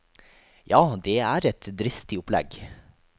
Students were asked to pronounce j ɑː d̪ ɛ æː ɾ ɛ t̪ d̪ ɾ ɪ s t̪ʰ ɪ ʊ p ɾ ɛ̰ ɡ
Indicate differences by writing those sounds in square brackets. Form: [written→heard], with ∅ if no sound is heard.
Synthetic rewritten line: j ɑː d̪ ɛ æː ɾ ɛ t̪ d̪ ɾ ɪ s [t̪ʰ→t̪] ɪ ʊ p [ɾ→l] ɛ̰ ɡ